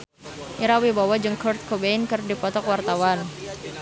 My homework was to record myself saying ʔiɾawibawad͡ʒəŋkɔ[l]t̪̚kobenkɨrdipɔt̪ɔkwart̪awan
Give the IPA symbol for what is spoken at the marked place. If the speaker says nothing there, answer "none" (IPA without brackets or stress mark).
r